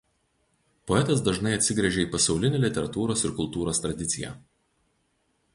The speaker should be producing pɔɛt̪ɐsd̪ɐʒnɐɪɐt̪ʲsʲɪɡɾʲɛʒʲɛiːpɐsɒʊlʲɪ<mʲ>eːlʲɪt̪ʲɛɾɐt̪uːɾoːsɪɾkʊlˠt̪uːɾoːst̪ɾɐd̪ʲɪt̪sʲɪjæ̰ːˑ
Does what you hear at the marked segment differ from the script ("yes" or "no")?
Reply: yes